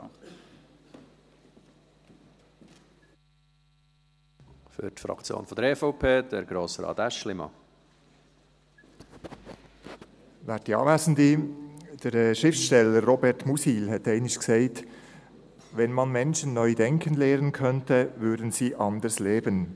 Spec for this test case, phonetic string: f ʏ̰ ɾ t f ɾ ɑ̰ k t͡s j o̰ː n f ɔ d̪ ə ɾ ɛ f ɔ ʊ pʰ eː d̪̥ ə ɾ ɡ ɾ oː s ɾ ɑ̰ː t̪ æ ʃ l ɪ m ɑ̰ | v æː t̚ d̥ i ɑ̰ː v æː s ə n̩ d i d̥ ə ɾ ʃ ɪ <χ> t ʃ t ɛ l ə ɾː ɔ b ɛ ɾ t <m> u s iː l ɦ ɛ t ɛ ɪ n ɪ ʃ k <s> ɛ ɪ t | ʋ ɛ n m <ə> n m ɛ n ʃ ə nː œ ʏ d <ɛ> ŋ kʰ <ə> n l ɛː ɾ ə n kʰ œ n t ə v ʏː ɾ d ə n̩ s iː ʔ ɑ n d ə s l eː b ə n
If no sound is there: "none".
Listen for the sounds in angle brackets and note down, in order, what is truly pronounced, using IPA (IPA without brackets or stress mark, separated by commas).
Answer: f, m, s, ɑ, ɛ, ə